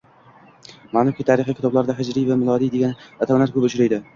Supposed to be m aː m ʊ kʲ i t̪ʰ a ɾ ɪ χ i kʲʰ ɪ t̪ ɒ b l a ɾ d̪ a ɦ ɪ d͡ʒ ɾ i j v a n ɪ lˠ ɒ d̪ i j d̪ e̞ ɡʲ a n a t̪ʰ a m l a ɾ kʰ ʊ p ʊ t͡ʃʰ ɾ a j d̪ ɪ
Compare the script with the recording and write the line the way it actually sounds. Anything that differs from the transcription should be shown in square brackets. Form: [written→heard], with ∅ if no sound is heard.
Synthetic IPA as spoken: m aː [m→n] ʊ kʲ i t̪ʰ a ɾ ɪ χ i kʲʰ ɪ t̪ ɒ b l a ɾ d̪ a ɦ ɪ d͡ʒ ɾ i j v a [n→m] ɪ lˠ ɒ d̪ i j d̪ e̞ ɡʲ a n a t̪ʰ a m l a ɾ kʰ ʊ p ʊ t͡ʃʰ ɾ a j d̪ ɪ